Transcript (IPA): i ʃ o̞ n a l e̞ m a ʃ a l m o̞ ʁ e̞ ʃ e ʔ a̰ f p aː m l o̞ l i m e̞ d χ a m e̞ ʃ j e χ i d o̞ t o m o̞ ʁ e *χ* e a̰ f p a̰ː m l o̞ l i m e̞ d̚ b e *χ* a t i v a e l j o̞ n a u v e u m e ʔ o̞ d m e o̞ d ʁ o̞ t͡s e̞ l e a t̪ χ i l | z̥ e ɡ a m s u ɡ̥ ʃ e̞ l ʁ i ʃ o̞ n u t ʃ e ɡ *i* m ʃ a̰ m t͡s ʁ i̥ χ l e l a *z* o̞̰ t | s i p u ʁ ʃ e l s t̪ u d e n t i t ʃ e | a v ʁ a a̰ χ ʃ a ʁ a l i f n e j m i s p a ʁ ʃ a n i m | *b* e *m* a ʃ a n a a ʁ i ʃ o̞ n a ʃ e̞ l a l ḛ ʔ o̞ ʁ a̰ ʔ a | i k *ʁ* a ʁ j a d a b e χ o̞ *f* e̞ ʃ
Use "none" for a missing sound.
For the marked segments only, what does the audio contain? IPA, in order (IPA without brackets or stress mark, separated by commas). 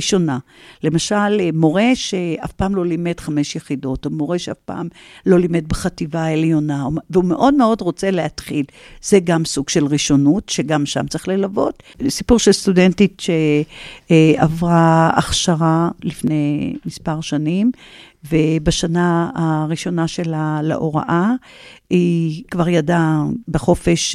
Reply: ʃ, χ, a, v, v, b, v, f